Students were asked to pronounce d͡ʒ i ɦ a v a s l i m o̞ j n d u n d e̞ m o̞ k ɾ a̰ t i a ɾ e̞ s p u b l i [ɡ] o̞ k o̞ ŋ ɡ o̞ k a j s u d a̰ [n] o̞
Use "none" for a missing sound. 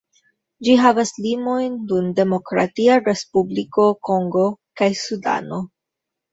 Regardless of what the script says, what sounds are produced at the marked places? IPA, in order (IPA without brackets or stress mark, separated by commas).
k, n